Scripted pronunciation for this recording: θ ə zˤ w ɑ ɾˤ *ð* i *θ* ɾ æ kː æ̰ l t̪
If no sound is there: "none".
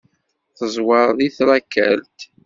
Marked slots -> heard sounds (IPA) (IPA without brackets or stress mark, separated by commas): ð, θ